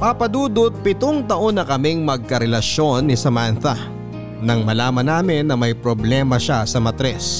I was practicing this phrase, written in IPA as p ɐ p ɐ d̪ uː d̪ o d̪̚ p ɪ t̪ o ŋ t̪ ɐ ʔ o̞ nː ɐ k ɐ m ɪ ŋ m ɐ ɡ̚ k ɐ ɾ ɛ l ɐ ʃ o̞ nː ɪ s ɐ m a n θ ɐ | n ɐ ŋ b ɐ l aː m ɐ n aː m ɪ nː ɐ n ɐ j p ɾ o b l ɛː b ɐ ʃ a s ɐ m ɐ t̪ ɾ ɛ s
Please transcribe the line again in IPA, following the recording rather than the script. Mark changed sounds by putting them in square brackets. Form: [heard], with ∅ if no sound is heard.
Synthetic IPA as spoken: p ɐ p ɐ d̪ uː d̪ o [t̪̚] p ɪ t̪ o ŋ t̪ ɐ ʔ o̞ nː ɐ k ɐ m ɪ ŋ m ɐ ɡ̚ k ɐ ɾ ɛ l ɐ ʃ o̞ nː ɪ s ɐ m a n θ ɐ | n ɐ ŋ [m] ɐ l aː m ɐ n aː m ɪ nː ɐ [m] ɐ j p ɾ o b l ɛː [m] ɐ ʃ a s ɐ m ɐ t̪ ɾ ɛ s